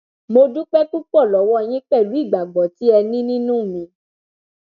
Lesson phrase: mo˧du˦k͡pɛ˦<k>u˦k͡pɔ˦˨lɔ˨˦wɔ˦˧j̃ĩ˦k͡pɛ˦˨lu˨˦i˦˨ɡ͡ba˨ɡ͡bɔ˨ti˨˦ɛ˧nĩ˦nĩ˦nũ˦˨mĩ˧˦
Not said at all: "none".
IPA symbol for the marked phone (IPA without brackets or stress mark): k